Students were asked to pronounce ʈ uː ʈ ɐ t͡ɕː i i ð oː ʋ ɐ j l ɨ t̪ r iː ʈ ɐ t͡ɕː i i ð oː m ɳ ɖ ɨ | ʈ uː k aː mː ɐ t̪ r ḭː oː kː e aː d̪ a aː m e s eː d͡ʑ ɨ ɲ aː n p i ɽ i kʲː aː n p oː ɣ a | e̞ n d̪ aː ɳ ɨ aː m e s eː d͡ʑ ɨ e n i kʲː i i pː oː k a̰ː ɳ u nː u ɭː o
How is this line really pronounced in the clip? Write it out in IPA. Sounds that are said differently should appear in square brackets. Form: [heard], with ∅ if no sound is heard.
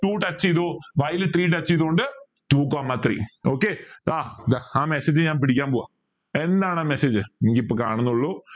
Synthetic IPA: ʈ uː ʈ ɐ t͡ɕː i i ð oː ʋ ɐ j l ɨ t̪ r iː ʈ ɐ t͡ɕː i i ð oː [∅] ɳ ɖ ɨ | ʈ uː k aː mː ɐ t̪ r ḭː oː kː e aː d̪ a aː m e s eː d͡ʑ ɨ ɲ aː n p i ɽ i kʲː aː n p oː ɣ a | e̞ n d̪ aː ɳ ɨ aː m e s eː d͡ʑ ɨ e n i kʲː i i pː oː k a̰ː ɳ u nː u ɭː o